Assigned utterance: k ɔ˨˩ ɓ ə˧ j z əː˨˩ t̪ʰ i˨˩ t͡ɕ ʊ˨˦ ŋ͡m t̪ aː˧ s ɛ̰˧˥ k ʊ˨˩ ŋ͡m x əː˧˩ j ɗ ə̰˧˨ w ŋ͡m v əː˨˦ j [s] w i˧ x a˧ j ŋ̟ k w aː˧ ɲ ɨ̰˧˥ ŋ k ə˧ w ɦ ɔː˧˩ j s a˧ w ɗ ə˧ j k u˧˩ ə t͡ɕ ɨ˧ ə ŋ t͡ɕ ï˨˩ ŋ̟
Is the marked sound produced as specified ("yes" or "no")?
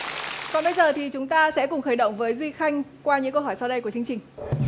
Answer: no